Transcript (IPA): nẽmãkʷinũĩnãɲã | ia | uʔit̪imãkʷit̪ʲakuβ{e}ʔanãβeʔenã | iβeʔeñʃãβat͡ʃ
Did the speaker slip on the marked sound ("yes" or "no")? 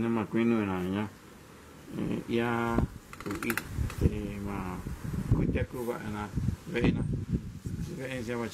yes